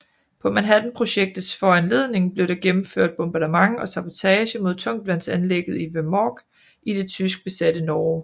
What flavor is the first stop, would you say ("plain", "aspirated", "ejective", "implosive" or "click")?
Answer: aspirated